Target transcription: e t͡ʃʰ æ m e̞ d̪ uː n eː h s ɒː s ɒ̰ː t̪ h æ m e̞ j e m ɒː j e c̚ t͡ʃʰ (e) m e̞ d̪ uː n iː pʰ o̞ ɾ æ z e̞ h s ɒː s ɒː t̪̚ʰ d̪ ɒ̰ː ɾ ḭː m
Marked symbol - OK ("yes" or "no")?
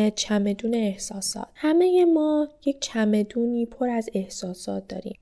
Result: no